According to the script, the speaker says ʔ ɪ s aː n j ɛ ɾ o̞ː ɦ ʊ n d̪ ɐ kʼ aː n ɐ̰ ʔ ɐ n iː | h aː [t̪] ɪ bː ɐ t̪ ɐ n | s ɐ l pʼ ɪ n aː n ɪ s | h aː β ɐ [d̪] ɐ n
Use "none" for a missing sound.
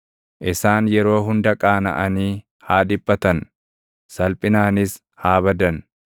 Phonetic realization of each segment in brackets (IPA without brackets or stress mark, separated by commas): d̪, d̪